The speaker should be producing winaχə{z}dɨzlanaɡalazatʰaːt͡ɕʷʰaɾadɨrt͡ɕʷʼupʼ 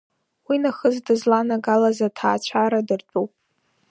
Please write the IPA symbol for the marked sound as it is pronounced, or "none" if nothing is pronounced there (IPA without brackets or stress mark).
z